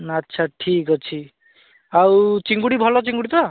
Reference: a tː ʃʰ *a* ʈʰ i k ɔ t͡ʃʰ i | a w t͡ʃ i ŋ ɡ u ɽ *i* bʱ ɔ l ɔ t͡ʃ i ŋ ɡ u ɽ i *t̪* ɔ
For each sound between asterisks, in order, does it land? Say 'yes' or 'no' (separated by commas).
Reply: yes, yes, yes